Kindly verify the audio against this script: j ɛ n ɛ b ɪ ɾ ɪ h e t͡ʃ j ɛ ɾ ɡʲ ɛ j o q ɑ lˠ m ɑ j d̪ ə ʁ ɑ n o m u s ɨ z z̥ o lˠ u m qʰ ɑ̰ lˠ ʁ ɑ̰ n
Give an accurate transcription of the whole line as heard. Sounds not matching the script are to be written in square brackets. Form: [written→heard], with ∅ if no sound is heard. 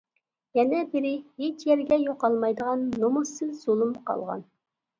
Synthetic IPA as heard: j ɛ n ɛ b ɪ ɾ ɪ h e t͡ʃ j ɛ ɾ ɡʲ ɛ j o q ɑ lˠ m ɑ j d̪ ə ʁ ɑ [n→nː] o m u s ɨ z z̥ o lˠ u m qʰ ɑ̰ lˠ ʁ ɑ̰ n